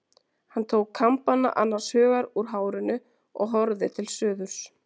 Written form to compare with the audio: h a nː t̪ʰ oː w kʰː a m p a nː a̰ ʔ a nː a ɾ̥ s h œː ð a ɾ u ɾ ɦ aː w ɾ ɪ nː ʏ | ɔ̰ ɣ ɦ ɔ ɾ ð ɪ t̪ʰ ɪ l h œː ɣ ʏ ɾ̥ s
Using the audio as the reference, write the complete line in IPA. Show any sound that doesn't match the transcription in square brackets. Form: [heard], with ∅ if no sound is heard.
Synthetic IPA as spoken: h a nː t̪ʰ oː w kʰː a m p a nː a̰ ʔ a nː a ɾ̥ s h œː [ɣ] a ɾ u ɾ ɦ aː w ɾ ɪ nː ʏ | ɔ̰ ɣ ɦ ɔ ɾ ð ɪ t̪ʰ ɪ l [s] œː [ð] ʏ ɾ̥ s